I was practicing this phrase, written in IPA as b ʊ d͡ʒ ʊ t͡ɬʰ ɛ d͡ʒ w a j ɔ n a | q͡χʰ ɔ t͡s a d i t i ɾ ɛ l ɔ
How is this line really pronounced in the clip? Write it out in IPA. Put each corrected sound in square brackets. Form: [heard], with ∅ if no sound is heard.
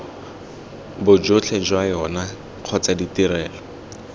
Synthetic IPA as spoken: b ʊ d͡ʒ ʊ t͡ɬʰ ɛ d͡ʒ w a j ɔ n a | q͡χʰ ɔ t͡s a d i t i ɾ [ɛː] l ɔ